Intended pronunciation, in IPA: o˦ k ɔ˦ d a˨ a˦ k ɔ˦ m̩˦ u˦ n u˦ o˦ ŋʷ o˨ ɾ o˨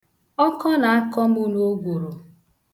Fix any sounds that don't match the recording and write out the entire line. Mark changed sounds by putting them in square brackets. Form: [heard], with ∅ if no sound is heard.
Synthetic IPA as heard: [ɔ˦] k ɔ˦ [n] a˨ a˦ k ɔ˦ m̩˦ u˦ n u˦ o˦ [ɡʷ] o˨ ɾ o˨

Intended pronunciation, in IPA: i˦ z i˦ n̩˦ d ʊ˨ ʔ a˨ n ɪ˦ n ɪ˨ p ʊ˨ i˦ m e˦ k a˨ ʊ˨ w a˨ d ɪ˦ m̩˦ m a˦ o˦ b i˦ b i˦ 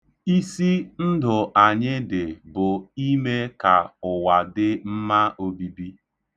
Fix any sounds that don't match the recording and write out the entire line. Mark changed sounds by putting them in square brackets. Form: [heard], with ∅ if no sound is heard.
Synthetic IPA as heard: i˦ [s] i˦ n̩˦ d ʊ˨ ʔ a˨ [ɲ] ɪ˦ [d] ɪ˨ [b] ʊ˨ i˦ m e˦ k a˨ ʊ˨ w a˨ d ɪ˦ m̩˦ m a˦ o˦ b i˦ b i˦

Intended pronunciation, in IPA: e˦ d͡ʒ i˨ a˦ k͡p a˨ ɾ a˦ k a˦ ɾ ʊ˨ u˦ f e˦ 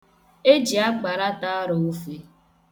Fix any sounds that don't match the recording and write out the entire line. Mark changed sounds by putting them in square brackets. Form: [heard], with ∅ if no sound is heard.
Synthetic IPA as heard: e˦ d͡ʒ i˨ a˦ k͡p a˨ ɾ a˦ [t] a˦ ɾ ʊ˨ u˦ f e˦

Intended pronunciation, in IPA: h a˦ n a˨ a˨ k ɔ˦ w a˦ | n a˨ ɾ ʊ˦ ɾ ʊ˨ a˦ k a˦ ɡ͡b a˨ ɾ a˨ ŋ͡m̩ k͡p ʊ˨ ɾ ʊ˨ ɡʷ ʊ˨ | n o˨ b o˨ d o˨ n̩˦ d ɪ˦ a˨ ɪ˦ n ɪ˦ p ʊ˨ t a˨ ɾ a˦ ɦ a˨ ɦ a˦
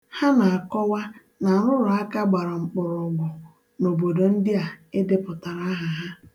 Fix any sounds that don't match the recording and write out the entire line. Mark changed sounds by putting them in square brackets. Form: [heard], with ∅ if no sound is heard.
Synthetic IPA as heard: h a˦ n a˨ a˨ k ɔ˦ w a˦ | n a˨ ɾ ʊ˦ ɾ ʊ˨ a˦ k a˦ ɡ͡b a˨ ɾ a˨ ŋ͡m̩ k͡p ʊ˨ ɾ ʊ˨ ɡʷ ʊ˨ | n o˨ b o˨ d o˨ n̩˦ d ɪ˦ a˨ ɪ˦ [d] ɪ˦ p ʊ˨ t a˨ ɾ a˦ ɦ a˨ ɦ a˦

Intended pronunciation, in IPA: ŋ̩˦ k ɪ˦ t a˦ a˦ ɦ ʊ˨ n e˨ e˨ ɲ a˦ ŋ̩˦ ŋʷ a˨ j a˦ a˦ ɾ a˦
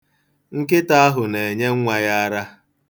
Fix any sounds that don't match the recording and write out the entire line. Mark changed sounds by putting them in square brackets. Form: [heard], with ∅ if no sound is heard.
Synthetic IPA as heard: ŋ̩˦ k ɪ˦ t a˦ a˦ ɦ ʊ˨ n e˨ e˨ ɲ [e˦] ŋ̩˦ ŋʷ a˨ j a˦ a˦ ɾ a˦

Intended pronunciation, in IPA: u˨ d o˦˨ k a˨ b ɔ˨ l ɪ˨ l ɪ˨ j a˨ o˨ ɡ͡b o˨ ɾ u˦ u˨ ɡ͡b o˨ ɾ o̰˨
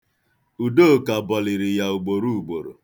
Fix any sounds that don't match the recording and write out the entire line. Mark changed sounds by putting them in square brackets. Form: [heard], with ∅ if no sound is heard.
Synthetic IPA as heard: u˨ d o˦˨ k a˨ b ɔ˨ l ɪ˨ [ɾ] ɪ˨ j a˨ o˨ ɡ͡b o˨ ɾ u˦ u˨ ɡ͡b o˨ ɾ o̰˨

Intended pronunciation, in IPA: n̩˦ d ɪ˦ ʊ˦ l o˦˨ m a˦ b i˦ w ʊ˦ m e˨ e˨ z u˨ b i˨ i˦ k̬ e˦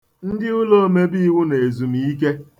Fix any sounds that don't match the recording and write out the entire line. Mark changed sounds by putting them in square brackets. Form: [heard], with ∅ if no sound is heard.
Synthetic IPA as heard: n̩˦ d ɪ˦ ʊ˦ l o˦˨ m [e˦] b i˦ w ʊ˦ [n] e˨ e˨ z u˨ [m] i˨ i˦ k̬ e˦

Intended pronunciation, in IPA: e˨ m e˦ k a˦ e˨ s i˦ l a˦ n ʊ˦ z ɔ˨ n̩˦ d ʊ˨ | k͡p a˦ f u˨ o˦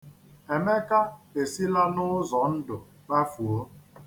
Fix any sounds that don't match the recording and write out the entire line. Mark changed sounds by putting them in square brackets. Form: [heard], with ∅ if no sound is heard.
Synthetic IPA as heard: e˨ m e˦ k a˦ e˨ s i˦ l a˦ n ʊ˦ z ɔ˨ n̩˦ d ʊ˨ | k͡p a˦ f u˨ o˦

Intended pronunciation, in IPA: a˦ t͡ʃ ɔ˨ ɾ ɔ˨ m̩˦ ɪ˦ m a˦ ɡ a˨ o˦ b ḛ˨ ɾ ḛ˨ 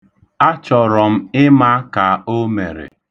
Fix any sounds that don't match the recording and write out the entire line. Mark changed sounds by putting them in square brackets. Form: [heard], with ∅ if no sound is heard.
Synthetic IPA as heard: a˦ t͡ʃ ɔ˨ ɾ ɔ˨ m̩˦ ɪ˦ m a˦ [k] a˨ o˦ [m] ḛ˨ ɾ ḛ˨

